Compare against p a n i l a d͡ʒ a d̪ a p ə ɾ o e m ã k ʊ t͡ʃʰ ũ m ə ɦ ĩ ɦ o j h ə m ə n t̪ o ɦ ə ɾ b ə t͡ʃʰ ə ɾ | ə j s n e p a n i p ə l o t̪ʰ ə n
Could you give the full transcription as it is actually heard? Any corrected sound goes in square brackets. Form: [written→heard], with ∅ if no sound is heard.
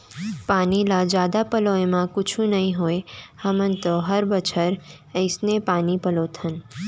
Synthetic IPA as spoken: p a n i l a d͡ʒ a d̪ a p ə [ɾ→l] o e m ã k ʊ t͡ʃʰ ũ [m→n] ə ɦ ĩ ɦ o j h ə m ə n t̪ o ɦ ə ɾ b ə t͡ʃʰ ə ɾ | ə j s n e p a n i p ə l o t̪ʰ ə n